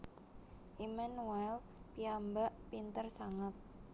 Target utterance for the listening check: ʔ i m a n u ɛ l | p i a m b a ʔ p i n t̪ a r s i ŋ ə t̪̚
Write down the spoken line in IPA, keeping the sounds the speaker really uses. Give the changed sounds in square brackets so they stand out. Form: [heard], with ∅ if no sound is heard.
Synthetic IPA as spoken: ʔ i m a n u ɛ l | p i a m b a ʔ p i n t̪ [ə] r s [a] ŋ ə t̪̚